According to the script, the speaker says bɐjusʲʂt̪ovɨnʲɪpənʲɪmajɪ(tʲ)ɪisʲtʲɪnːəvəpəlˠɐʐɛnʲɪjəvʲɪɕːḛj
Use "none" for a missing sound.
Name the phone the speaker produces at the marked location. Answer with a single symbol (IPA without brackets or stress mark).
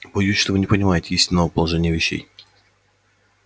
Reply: tʲ